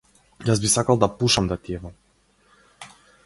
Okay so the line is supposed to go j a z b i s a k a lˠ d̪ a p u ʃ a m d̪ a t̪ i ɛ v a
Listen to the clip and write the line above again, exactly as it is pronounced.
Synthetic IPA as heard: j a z b i s a k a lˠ d̪ a p u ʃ a m d̪ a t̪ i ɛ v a